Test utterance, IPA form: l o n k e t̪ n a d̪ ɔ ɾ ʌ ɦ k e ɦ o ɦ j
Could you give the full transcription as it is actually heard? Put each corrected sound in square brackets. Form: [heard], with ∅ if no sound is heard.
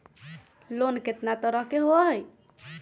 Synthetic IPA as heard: l o n k e t̪ n a [t̪] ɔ ɾ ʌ ɦ k e ɦ o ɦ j